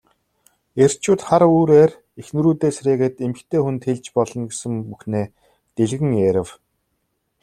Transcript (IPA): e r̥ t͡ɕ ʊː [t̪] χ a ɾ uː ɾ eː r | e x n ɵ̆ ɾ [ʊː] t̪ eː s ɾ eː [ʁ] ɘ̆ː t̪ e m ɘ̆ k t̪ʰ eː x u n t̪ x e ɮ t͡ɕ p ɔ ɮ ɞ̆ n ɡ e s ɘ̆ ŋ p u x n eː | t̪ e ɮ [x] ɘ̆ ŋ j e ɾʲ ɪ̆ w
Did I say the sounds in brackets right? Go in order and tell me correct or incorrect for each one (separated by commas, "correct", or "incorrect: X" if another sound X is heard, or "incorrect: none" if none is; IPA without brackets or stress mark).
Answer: correct, incorrect: uː, incorrect: ɣ, incorrect: ɣ